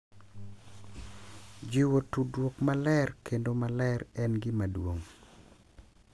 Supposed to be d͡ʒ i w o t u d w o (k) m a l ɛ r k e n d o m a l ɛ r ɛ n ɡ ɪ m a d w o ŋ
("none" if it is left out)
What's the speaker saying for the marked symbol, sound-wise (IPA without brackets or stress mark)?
k